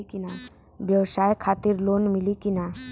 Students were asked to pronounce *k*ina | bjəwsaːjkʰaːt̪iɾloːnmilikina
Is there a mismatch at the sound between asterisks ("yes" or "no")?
no